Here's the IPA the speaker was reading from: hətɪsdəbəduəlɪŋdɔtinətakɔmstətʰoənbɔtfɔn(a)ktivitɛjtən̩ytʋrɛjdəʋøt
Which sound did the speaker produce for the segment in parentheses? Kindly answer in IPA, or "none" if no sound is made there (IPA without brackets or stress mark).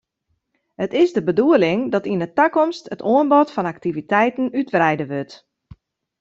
a